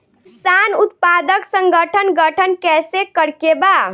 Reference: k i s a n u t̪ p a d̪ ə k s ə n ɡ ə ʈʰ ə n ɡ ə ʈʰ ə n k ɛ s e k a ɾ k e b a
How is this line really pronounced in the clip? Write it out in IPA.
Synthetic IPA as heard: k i s a n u t̪ p a d̪ ə k s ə ŋ ɡ ə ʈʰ ə n ɡ ə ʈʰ ə n k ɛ s e k ə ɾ k e b a